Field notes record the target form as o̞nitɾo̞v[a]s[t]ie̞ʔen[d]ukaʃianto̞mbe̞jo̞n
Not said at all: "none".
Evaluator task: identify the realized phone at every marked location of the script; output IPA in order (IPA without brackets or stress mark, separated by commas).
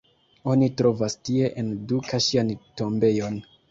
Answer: a, t, d